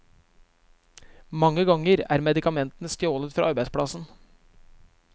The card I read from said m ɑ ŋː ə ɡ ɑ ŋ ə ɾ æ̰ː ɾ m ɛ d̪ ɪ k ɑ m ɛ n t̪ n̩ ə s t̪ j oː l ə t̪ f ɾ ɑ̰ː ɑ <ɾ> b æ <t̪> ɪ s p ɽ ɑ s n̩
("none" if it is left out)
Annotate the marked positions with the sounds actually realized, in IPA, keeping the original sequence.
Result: ɾ, none

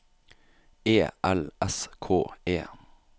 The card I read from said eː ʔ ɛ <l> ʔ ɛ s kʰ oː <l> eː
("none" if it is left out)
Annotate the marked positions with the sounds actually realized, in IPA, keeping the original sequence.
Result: l, none

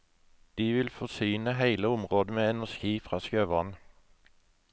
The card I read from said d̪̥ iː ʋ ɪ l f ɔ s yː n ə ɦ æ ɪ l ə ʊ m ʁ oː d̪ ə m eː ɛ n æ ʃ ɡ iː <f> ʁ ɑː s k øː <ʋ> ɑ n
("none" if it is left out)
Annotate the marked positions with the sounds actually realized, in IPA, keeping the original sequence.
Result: f, ʋ

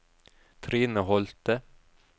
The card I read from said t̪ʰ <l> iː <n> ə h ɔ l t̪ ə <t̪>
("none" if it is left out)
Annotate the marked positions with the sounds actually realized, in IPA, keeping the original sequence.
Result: ɾ, n, none

